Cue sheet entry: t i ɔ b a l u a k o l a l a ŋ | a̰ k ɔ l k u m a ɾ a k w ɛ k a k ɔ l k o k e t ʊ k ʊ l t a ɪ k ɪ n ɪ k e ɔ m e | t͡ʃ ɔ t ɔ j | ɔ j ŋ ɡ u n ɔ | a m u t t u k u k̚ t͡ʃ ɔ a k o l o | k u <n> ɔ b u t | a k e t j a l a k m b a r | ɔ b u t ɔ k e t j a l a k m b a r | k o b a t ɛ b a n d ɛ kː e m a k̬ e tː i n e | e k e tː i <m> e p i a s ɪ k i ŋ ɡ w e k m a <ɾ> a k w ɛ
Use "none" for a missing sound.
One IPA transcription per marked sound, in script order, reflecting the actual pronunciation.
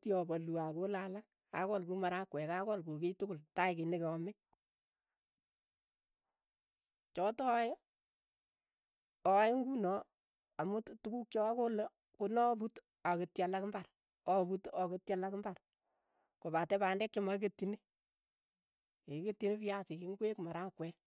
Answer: n, n, ɾ

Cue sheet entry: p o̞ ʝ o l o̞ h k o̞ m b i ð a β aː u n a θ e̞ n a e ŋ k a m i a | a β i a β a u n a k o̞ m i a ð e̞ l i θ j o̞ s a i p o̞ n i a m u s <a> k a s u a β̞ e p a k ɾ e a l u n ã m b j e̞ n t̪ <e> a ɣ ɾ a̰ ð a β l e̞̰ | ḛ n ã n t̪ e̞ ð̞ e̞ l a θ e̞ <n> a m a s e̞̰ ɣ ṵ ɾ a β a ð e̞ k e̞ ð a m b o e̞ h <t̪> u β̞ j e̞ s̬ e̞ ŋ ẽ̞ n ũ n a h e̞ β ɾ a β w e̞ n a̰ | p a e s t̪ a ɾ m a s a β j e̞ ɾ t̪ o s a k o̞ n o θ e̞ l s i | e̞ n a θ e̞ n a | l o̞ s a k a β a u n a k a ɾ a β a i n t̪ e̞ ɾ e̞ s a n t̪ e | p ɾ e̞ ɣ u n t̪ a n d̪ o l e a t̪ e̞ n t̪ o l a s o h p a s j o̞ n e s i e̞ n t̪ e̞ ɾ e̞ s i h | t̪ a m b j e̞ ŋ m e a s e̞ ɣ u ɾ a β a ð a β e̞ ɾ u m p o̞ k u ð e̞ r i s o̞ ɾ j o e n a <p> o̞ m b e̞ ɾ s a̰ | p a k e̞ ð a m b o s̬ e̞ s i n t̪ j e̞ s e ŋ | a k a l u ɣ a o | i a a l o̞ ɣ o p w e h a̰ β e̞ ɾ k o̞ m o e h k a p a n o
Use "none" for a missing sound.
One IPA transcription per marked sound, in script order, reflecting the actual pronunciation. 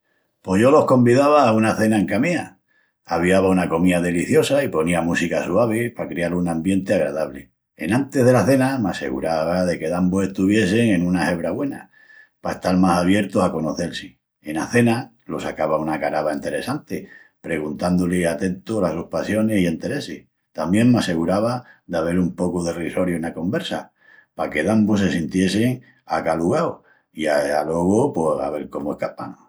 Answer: i, e, n, t̪, k

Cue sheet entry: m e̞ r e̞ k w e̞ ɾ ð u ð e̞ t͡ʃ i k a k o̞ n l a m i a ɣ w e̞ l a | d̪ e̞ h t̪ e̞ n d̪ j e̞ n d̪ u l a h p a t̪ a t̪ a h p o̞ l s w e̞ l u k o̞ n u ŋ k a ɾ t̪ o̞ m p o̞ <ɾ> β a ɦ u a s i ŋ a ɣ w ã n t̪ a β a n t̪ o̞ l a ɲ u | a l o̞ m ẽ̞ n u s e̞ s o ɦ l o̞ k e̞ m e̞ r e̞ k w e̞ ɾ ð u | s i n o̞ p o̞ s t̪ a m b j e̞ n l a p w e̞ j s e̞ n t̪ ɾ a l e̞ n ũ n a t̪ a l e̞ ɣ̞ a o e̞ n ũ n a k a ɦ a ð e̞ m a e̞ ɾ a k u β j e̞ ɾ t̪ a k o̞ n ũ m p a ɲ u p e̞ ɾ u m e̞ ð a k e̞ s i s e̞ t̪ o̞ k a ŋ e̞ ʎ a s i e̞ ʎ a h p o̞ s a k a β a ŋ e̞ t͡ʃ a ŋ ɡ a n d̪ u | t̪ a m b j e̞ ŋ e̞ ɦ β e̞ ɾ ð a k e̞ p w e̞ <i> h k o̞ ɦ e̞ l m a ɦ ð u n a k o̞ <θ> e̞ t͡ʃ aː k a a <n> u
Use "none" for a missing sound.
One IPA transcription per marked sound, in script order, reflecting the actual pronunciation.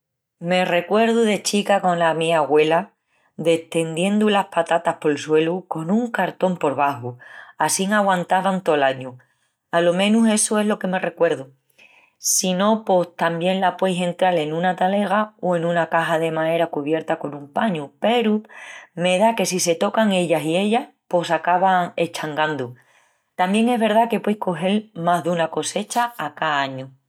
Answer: ɾ, j, s, ɲ

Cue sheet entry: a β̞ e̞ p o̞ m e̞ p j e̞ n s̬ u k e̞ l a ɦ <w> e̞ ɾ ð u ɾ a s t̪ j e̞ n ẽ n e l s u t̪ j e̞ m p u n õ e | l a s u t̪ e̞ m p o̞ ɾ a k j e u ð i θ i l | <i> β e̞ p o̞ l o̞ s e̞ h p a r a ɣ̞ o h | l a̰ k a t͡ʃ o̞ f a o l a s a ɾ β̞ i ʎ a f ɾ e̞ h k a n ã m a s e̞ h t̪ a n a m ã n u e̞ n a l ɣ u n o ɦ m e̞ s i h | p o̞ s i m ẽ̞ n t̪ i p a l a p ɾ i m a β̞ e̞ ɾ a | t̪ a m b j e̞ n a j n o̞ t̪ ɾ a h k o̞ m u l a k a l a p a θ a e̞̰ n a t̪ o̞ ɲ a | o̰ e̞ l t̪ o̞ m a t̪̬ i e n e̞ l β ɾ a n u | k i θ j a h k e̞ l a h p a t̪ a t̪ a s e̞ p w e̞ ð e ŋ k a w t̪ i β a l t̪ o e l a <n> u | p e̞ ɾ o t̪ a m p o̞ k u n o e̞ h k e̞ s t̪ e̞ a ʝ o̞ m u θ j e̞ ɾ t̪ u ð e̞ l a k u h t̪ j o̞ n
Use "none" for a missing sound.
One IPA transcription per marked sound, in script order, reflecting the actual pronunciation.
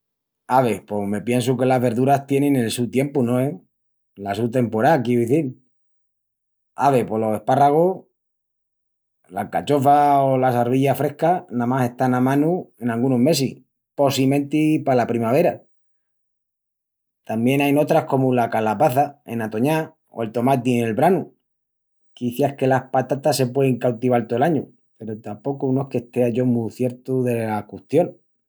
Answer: β, a, ɲ

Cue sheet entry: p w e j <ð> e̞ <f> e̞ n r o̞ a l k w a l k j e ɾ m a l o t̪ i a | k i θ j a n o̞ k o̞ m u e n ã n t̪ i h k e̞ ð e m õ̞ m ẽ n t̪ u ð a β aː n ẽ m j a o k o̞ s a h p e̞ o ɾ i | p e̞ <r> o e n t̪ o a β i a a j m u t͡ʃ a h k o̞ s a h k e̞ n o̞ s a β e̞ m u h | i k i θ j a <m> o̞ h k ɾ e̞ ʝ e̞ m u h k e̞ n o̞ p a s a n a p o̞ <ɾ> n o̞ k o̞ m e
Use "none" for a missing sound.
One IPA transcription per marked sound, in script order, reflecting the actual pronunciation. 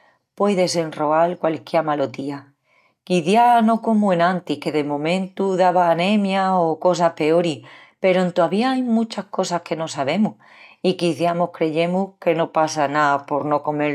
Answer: ð, s, ɾ, m, ɾ

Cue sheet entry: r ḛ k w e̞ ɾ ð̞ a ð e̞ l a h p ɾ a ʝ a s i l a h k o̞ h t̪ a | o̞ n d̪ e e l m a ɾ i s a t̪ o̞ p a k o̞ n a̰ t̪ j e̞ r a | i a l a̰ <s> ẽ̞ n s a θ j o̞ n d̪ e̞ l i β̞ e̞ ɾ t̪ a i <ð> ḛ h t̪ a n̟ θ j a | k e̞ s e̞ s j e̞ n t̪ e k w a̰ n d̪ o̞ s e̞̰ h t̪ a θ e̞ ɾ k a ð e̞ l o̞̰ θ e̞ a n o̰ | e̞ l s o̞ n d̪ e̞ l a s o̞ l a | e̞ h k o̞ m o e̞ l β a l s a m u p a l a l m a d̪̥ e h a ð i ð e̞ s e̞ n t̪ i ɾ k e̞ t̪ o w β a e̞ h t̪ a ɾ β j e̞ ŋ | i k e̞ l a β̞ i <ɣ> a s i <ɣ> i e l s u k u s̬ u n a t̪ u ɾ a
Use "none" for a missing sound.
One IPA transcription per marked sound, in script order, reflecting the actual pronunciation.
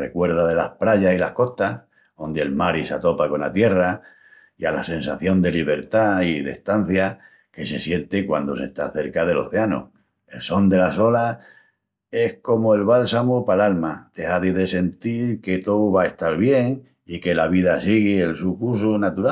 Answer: s, ð, ð, ɣ

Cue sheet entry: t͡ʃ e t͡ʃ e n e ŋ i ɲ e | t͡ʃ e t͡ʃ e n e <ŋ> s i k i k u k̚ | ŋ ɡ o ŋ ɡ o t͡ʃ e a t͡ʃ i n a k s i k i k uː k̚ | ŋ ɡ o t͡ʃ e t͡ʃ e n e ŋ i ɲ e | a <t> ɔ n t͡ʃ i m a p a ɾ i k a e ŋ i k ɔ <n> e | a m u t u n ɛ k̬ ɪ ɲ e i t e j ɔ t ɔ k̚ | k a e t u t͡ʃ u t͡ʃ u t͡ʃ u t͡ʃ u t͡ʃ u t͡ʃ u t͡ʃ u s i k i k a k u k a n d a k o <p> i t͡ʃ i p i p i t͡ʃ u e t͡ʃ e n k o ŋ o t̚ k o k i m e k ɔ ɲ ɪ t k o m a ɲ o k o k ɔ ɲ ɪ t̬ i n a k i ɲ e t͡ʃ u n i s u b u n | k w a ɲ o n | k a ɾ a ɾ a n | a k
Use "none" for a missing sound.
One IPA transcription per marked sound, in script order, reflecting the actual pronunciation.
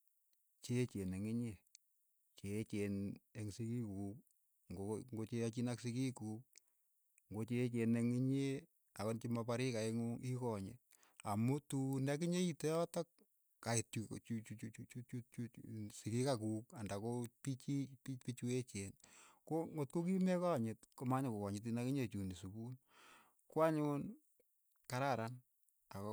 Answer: ŋ, k, ɲ, p

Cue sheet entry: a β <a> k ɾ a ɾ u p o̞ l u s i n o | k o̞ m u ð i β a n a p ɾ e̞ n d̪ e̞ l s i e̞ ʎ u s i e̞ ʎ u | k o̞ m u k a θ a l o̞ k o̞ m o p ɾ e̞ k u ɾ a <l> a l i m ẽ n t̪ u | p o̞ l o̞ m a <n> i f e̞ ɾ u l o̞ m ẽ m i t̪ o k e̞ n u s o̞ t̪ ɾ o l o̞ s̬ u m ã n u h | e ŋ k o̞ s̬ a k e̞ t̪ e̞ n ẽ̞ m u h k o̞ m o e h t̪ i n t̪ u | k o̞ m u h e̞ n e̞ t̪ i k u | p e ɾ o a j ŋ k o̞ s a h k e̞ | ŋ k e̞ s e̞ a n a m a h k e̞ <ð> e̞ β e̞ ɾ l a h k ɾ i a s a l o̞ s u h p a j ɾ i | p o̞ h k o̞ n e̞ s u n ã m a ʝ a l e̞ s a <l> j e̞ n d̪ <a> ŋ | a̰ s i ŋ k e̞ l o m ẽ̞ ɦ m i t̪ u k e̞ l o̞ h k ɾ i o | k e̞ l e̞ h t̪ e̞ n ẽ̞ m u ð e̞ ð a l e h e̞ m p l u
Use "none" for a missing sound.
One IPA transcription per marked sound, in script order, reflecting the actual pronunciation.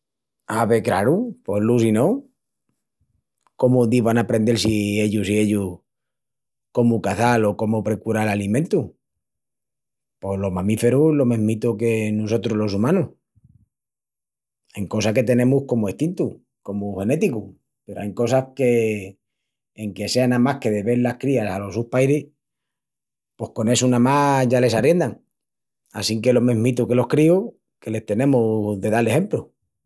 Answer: e, l, m, ð, r, a

